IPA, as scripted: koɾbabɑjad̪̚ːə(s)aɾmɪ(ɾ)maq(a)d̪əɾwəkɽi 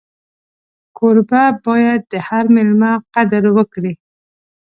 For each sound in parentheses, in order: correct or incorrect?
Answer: incorrect, incorrect, correct

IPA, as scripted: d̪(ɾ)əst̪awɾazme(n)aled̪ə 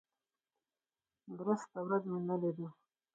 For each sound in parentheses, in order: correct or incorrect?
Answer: correct, correct

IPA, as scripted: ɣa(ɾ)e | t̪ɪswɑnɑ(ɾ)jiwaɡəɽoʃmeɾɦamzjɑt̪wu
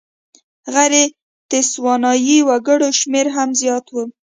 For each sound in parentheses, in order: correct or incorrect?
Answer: correct, incorrect

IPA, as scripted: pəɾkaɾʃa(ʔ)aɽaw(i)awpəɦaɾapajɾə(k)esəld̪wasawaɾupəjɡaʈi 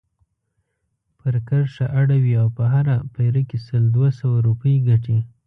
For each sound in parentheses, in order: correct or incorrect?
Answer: correct, correct, correct

